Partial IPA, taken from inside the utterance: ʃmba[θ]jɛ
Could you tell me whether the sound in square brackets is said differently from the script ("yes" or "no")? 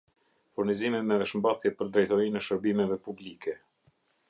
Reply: no